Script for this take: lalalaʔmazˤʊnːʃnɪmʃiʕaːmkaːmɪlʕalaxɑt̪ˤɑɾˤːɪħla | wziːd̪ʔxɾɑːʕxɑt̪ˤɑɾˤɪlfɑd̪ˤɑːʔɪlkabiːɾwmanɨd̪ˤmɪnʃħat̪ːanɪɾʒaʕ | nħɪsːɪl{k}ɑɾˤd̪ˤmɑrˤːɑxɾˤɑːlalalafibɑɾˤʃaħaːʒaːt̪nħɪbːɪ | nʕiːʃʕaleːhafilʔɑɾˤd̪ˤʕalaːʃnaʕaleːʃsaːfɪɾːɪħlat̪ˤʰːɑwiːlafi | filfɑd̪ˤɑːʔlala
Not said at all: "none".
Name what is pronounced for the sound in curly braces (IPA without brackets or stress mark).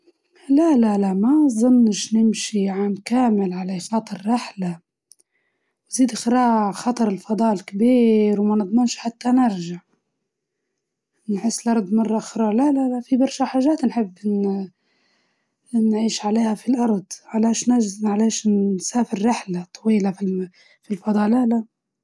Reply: ʔ